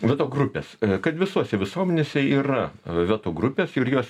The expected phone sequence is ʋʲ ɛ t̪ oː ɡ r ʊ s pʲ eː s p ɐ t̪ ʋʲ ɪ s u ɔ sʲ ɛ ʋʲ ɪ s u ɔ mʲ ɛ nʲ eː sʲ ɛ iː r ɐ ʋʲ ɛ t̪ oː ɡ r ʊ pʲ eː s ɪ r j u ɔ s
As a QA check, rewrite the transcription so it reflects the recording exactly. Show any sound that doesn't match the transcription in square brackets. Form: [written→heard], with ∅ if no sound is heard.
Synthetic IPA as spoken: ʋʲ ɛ t̪ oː ɡ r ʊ [s→∅] pʲ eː s [p→k] ɐ t̪ ʋʲ ɪ s u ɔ sʲ ɛ ʋʲ ɪ s u ɔ mʲ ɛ nʲ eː sʲ ɛ iː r ɐ ʋʲ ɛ t̪ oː ɡ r ʊ pʲ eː s ɪ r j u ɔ s